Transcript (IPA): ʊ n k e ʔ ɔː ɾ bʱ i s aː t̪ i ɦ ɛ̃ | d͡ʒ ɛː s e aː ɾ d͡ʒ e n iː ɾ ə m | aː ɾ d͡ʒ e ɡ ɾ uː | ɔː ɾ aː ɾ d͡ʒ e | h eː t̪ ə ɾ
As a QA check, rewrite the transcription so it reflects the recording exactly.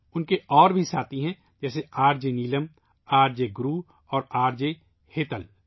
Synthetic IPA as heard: ʊ n k e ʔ ɔː ɾ bʱ i s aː t̪ i ɦ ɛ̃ | d͡ʒ ɛː s e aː ɾ d͡ʒ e n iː l ə m | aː ɾ d͡ʒ e ɡ ɾ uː | ɔː ɾ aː ɾ d͡ʒ e | h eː t̪ ə l